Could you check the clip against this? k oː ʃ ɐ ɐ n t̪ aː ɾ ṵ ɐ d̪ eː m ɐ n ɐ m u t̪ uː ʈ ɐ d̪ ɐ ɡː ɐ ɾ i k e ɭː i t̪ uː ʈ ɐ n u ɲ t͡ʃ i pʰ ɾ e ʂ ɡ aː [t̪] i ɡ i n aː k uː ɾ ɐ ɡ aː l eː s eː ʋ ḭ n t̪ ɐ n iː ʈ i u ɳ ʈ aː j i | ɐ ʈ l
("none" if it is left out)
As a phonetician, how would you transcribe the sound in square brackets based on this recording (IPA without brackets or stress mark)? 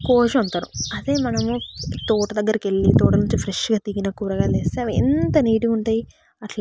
t̪